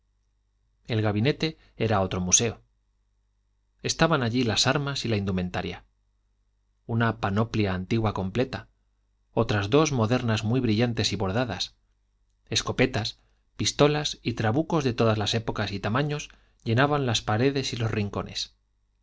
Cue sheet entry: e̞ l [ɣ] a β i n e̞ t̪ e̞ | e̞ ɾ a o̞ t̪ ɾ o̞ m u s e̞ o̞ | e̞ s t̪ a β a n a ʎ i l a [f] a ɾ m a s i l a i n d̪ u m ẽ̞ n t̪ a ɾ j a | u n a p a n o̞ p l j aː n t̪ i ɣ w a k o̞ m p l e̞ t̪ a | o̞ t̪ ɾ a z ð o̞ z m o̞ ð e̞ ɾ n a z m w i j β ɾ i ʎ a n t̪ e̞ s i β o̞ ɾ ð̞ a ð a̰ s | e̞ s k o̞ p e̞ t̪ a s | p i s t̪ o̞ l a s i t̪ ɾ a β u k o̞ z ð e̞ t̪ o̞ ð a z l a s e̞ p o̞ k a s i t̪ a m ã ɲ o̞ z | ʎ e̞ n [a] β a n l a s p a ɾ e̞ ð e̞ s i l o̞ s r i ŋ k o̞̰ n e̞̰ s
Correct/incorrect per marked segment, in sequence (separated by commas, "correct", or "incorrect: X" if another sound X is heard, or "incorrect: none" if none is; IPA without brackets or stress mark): correct, incorrect: s, correct